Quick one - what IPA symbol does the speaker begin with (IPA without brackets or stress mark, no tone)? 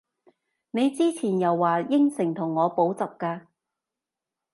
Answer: n